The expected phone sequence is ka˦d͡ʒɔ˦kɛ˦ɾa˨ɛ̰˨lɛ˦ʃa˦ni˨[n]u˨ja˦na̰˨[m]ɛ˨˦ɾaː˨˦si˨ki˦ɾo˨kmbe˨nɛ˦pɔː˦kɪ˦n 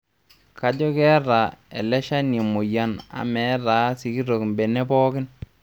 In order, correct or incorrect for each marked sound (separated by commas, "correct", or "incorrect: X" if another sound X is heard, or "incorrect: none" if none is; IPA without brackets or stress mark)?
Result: incorrect: m, correct